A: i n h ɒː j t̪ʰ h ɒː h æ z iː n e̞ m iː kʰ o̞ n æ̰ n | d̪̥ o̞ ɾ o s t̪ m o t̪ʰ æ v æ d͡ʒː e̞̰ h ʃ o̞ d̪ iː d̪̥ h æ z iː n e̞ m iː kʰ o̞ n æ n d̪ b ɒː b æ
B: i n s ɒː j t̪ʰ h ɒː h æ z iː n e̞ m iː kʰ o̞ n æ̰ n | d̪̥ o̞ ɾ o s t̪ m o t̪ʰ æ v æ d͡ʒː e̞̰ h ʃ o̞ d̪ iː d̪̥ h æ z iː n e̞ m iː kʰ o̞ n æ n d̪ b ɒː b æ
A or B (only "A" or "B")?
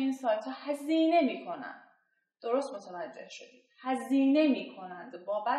B